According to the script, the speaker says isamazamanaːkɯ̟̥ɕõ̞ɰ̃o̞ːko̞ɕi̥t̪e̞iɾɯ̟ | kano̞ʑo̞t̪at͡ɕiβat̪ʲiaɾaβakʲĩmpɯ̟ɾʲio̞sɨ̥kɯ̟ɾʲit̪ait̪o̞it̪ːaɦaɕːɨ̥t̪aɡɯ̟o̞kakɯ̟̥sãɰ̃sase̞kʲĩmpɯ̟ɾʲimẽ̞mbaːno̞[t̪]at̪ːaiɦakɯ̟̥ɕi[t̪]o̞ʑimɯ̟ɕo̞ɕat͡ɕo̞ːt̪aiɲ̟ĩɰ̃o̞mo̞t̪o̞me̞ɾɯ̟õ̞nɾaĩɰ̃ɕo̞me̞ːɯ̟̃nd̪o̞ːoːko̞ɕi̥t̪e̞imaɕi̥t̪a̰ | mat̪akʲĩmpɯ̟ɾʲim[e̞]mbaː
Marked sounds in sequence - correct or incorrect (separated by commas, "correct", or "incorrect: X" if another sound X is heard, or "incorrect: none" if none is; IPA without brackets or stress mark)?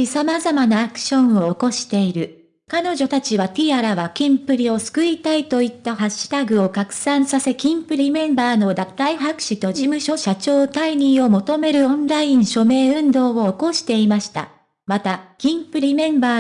incorrect: d̪, correct, incorrect: ẽ̞